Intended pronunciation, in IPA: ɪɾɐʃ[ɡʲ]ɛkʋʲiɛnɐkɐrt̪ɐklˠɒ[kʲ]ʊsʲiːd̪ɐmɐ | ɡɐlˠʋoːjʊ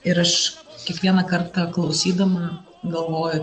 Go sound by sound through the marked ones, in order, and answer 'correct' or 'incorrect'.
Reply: incorrect: kʲ, incorrect: none

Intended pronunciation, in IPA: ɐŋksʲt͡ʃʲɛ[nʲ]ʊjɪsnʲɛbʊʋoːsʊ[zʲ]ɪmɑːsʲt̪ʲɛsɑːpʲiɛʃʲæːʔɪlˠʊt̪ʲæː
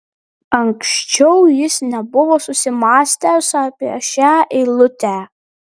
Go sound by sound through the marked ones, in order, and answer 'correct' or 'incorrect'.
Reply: incorrect: none, incorrect: sʲ

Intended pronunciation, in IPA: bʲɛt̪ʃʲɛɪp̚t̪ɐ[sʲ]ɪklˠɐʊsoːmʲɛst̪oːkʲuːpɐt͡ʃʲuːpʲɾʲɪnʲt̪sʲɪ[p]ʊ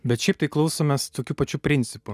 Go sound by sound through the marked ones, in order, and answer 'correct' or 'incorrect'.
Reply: incorrect: none, correct

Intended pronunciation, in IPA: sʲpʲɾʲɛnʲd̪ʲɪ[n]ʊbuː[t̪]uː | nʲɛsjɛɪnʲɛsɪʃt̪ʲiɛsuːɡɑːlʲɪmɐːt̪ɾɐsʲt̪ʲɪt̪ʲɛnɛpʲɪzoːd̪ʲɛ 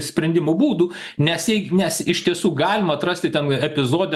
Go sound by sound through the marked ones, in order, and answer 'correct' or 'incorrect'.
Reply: incorrect: m, incorrect: d̪

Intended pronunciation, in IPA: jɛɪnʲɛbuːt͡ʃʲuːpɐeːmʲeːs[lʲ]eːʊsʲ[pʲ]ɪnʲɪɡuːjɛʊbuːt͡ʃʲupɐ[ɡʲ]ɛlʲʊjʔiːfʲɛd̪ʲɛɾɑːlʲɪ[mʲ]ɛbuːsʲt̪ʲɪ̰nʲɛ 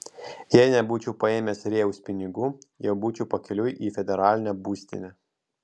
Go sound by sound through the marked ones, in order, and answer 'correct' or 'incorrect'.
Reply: incorrect: ɾʲ, correct, incorrect: kʲ, incorrect: nʲ

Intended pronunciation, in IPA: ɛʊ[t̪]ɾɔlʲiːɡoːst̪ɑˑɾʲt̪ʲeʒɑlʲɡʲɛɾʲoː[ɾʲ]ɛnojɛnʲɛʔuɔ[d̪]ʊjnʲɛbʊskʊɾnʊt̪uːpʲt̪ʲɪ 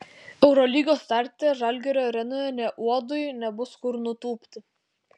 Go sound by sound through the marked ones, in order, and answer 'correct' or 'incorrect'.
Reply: incorrect: none, correct, correct

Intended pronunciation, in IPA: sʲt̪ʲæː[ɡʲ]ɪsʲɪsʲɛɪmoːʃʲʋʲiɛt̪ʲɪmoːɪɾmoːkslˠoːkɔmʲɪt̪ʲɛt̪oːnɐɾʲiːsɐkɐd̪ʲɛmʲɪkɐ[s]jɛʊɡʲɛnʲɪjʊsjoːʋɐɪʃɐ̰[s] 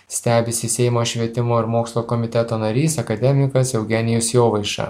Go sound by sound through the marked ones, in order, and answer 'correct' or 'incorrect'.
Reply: incorrect: bʲ, correct, incorrect: none

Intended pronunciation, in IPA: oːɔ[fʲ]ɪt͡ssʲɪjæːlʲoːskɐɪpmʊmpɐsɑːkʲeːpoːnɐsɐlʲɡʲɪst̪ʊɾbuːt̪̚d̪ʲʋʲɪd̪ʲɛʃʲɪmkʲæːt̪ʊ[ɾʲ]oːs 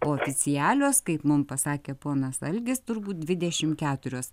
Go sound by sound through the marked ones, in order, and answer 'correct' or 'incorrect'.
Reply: correct, correct

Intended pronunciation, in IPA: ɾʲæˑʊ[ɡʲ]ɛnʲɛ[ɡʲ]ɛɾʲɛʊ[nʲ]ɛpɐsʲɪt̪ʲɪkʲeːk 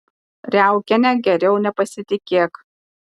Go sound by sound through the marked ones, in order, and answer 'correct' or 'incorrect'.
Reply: incorrect: kʲ, correct, correct

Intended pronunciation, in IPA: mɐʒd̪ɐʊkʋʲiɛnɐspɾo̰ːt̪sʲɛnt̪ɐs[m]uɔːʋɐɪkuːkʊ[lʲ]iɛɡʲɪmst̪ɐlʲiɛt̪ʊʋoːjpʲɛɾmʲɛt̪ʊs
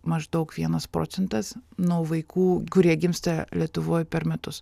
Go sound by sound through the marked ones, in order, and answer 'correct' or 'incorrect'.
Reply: incorrect: n, incorrect: ɾʲ

